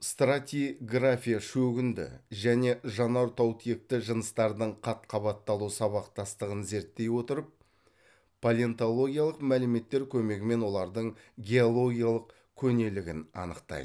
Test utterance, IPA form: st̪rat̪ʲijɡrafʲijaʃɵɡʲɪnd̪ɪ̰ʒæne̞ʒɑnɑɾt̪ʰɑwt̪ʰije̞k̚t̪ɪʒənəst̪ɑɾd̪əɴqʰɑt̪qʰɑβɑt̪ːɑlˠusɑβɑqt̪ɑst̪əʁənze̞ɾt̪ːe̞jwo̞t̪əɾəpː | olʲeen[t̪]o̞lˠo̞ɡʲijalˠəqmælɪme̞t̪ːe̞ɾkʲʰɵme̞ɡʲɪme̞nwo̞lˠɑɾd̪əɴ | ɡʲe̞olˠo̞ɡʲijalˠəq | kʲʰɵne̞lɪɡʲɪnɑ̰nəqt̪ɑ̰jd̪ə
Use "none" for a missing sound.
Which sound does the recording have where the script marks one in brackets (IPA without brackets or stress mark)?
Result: t̪